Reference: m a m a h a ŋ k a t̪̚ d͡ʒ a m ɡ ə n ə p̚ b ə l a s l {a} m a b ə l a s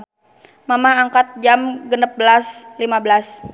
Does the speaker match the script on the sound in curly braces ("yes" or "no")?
no